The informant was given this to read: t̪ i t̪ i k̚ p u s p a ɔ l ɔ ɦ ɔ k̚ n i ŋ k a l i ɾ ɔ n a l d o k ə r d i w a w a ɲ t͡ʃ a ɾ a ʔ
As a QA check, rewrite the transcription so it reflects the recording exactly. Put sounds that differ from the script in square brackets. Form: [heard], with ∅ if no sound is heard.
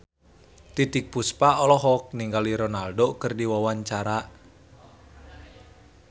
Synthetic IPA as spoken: t̪ i t̪ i k̚ p u s p a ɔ l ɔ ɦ ɔ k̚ n i ŋ [ɡ] a l i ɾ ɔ n a l d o k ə r d i w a w a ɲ t͡ʃ a ɾ a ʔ